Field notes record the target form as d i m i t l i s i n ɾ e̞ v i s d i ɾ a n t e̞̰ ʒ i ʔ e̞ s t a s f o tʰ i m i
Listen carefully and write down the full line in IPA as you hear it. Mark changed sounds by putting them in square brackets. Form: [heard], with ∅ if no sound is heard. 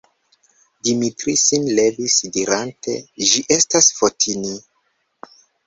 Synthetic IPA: d i m i t [ɾ] i s i n [l] e̞ v i s d i ɾ a n t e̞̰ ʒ i ʔ e̞ s t a s f o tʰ i [n] i